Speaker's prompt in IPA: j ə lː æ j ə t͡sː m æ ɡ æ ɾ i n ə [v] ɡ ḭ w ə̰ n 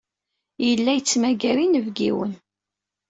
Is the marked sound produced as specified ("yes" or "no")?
yes